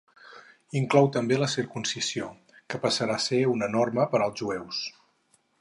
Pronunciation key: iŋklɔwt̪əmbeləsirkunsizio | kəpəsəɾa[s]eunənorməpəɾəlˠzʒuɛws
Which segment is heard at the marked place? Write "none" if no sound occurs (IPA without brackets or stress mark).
s